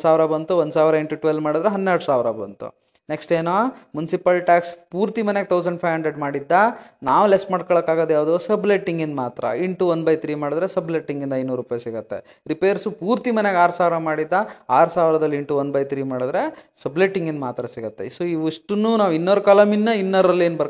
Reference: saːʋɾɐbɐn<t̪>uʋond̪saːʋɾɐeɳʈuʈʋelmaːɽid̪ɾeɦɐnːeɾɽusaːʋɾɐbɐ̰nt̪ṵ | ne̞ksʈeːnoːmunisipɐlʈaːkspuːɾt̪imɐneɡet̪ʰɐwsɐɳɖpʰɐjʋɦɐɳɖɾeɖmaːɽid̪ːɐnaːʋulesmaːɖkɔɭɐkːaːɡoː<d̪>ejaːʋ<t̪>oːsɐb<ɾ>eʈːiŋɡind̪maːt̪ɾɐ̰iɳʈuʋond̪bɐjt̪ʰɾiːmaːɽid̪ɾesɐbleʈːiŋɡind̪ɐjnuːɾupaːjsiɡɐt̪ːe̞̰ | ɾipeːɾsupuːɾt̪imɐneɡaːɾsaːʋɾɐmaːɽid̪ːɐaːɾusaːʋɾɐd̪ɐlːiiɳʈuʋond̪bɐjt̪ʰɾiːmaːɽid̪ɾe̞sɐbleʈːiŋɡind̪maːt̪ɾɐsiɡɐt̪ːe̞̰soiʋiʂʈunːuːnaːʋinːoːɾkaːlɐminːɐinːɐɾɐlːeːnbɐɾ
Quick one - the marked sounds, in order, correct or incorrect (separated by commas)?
correct, correct, incorrect, incorrect